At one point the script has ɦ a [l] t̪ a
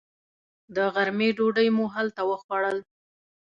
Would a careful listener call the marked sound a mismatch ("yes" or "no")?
no